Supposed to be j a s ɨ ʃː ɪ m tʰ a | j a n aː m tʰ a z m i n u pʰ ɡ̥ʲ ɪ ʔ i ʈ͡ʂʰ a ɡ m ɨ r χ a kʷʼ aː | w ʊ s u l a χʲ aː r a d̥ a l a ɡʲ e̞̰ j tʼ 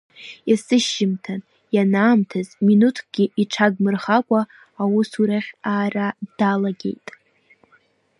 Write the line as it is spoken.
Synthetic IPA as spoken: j a s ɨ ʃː ɪ m tʰ a | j a n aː m tʰ a z m i n u tʰ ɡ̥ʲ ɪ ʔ i ʈ͡ʂʰ a ɡ m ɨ r χ a kʷʼ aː | w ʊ s u ɾ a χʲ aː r a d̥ a l a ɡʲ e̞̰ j tʼ